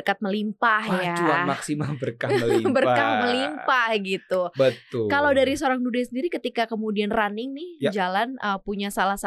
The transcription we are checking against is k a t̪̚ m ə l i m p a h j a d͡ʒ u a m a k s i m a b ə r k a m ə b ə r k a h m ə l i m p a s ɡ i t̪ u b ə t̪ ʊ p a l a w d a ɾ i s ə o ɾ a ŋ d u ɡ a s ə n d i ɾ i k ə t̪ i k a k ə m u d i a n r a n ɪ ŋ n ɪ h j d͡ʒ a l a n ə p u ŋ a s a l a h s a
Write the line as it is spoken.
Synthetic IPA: k a t̪̚ m ə l i m p a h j a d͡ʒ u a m a k s i m a b ə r k a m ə b ə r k a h m ə l i m p a h ɡ i t̪ u b ə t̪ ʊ k a l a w d a ɾ i s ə o ɾ a ŋ d u d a s ə n d i ɾ i k ə t̪ i k a k ə m u d i a n r a n ɪ ŋ n ɪ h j d͡ʒ a l a n ə p u ɲ a s a l a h s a